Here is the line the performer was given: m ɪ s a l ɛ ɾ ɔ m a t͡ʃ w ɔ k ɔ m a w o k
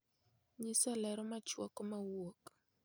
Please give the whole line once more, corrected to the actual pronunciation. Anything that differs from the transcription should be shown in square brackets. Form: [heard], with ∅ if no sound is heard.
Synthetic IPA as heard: [ɲ] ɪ s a l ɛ ɾ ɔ m a t͡ʃ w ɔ k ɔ m a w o k